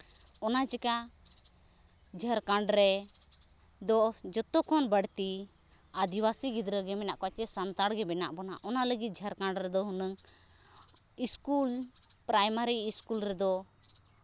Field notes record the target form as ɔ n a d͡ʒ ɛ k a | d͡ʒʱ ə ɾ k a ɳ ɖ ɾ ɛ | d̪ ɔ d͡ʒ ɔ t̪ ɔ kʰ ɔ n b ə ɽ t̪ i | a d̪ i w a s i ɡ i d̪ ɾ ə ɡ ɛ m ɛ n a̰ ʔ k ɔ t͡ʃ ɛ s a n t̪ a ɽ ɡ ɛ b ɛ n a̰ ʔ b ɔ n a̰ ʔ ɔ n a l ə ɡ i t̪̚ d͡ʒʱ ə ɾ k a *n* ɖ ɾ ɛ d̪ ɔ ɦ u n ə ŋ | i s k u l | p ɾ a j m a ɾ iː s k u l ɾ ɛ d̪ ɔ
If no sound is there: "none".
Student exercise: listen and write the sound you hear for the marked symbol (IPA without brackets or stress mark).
ɳ